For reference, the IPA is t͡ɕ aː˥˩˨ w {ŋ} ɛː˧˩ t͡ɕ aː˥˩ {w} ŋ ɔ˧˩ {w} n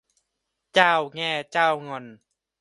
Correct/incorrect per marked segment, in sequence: correct, correct, incorrect: none

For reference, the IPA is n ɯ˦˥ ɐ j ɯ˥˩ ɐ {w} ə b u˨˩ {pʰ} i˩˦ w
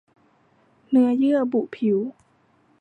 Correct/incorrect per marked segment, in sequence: incorrect: none, correct

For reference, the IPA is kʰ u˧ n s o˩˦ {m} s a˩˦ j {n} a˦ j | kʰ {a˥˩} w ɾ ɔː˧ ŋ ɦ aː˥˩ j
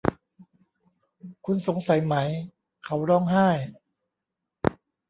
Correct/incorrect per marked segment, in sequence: incorrect: ŋ, incorrect: m, incorrect: a˦

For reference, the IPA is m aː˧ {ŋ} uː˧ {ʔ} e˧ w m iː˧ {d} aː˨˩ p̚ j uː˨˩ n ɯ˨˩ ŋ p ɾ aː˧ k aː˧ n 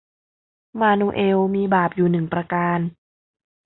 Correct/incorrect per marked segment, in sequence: incorrect: n, correct, incorrect: b

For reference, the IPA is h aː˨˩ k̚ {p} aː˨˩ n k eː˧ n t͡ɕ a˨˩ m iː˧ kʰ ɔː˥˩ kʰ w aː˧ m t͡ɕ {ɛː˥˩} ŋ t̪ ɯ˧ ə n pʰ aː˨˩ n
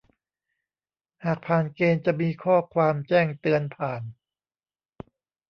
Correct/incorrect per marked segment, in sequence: incorrect: pʰ, correct

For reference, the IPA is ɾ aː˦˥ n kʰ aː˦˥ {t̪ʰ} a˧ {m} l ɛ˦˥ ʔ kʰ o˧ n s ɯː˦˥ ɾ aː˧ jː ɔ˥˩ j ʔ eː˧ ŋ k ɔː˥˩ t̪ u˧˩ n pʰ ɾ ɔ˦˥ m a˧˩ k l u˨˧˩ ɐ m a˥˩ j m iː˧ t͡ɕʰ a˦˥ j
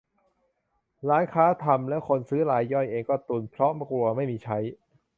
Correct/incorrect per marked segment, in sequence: correct, correct

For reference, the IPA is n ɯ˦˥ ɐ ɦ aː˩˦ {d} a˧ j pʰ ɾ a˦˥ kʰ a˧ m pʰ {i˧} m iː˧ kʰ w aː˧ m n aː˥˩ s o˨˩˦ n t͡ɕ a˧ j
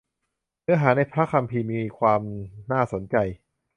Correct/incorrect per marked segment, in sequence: incorrect: n, incorrect: iː˧

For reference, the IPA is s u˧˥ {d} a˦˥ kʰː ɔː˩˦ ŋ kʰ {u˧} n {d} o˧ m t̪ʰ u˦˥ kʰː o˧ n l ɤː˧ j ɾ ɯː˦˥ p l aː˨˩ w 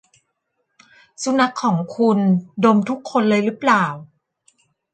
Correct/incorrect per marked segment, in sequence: incorrect: n, correct, correct

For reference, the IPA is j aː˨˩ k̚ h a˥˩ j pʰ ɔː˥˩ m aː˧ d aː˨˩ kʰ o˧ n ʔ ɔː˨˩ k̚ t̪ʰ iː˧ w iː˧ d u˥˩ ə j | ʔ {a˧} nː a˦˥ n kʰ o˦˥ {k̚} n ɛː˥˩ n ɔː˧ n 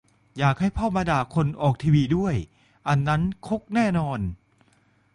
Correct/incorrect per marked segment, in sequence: correct, correct

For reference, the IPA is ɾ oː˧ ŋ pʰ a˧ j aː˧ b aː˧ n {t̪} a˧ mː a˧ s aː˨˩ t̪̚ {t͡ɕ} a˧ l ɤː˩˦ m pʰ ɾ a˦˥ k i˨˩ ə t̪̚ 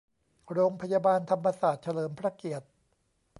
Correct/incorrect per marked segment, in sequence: incorrect: t̪ʰ, incorrect: t͡ɕʰ

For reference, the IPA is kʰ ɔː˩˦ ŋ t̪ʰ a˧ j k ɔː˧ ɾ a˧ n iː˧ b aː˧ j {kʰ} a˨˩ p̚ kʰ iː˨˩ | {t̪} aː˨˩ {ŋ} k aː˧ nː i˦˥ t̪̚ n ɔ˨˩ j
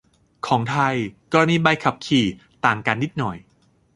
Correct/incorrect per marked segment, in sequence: correct, correct, correct

